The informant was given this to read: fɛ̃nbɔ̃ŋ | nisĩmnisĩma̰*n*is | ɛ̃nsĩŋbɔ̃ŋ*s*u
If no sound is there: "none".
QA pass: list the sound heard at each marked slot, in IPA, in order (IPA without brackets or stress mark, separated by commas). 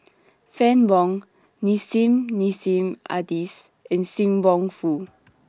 d, f